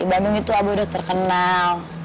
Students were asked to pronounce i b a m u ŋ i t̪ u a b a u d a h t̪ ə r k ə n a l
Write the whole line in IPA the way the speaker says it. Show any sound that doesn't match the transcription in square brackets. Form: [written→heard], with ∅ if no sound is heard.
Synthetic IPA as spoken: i b a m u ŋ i t̪ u a b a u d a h t̪ ə r k ə n a l

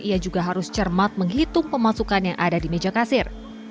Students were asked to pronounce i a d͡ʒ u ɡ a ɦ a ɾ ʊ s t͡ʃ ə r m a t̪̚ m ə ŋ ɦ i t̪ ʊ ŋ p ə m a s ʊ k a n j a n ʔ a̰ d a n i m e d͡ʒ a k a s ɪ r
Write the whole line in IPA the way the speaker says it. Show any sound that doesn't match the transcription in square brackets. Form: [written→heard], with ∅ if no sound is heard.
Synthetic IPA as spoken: i a d͡ʒ u ɡ a ɦ a ɾ ʊ s t͡ʃ ə r m a t̪̚ m ə ŋ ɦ i t̪ ʊ ŋ p ə m a s [ʊ→u] k a n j a [n→ŋ] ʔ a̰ d a [n→d] i m e d͡ʒ a k a s ɪ r

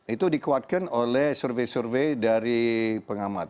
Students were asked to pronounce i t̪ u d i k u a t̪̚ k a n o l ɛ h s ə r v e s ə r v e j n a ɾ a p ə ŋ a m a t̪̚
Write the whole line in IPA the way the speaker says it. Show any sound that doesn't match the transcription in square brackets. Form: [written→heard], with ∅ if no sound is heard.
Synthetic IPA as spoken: i t̪ u d i k u a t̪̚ k a n o l ɛ h s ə r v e s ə r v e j [n→d] a ɾ [a→i] p ə ŋ a m a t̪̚

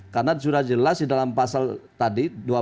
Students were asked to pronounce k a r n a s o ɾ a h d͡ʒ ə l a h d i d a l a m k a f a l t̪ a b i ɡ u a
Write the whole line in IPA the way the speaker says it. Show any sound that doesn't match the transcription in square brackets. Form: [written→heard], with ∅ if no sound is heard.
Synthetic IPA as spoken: k a r n a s [o→u] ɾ a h d͡ʒ ə l a [h→s] d i d a l a m [k→p] a [f→s] a l t̪ a [b→d] i [ɡ→d] u a

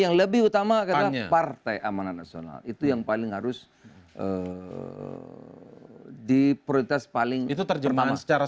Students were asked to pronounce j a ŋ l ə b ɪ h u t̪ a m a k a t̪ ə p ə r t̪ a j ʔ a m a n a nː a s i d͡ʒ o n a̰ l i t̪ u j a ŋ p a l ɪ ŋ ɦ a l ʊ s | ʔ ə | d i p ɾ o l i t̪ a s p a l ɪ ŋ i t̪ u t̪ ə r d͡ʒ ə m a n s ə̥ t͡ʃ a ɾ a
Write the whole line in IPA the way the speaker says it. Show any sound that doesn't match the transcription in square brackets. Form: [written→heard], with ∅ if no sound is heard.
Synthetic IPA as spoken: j a ŋ l ə b ɪ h u t̪ a m a k a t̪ [ə→a] p [ə→a] r t̪ a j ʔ a m a n a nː a s i [d͡ʒ→∅] o n a̰ l i t̪ u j a ŋ p a l ɪ ŋ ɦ a [l→ɾ] ʊ s | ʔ ə | d i p ɾ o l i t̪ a s p a l ɪ ŋ i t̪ u t̪ ə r d͡ʒ ə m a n s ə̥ t͡ʃ a ɾ a

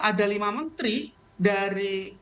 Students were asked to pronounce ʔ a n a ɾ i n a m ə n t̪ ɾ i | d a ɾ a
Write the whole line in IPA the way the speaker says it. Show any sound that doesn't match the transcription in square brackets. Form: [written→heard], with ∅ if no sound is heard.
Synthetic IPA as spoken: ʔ a [n→d] a [ɾ→l] i [n→m] a m ə n t̪ ɾ i | d a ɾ [a→i]

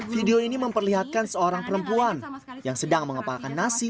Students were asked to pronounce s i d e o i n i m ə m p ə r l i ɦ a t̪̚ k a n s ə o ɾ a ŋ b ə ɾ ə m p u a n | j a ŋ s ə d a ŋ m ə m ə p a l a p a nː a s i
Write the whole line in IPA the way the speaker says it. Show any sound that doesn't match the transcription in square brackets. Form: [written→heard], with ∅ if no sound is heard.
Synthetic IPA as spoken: [s→f] i d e o i n i m ə m p ə r l i ɦ a t̪̚ k a n s ə o ɾ a ŋ [b→p] ə ɾ ə m p u a n | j a ŋ s ə d a ŋ m ə [m→ŋ] ə p a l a [p→k] a nː a s i

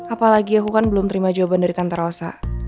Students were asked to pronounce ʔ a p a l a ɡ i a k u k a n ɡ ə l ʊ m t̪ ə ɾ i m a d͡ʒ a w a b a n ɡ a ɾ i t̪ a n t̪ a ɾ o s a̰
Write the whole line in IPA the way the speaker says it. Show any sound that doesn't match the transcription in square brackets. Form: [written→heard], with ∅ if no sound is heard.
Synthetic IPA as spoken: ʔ a p a l a ɡ i a k u k a n [ɡ→b] ə l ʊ m t̪ ə ɾ i m a d͡ʒ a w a b a n [ɡ→d] a ɾ i t̪ a n t̪ a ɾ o s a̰

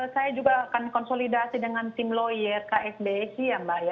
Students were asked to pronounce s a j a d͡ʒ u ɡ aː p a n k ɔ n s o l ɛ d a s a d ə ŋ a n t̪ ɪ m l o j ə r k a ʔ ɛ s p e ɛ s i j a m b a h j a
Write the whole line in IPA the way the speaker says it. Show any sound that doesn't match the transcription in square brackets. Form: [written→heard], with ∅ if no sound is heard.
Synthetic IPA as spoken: s a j a d͡ʒ u ɡ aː [p→k] a n k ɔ n s o l [ɛ→i] d a s [a→i] d ə ŋ a n t̪ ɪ m l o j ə r k a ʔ ɛ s [p→b] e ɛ s i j a m b a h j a

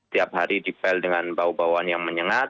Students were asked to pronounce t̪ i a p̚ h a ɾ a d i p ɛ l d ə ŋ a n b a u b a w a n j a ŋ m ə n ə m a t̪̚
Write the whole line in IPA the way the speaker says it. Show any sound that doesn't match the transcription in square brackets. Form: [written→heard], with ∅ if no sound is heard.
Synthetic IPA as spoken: t̪ i a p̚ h a ɾ [a→i] d i p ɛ l d ə ŋ a n b a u b a w a n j a ŋ m ə [n→ɲ] ə [m→ŋ] a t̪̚

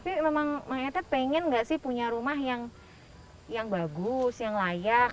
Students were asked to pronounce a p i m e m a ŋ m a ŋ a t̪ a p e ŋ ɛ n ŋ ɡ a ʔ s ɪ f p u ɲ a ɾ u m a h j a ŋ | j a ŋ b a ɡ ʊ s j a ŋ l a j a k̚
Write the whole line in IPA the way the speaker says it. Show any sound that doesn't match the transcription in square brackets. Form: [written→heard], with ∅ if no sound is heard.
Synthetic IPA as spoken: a p i m e m a ŋ m a ŋ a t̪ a p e ŋ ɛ n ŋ ɡ a ʔ s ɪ [f→h] p u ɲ a ɾ u m a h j a ŋ | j a ŋ b a ɡ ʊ s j a ŋ l a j a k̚

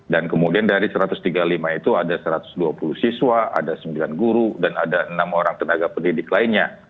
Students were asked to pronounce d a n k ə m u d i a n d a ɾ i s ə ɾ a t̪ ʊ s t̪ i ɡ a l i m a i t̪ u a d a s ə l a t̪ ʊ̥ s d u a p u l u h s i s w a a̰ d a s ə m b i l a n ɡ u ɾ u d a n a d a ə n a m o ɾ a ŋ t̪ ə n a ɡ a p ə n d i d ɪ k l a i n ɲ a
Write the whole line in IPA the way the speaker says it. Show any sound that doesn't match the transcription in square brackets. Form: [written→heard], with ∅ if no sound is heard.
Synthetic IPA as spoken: d a n k ə m u d i a n d a ɾ i s ə ɾ a t̪ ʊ s t̪ i ɡ a l i m a i t̪ u a d a s ə [l→ɾ] a t̪ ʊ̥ s d u a p u l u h s i s w a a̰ d a s ə m b i l a n ɡ u ɾ u d a n a d a ə n a m o ɾ a ŋ t̪ ə n a ɡ a p ə n d i d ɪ k l a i n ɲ a

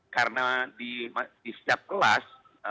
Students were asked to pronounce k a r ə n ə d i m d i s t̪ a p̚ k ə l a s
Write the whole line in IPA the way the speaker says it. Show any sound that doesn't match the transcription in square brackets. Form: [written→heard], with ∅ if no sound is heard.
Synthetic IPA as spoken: k a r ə n [ə→a] d i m d i s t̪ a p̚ k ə l a s

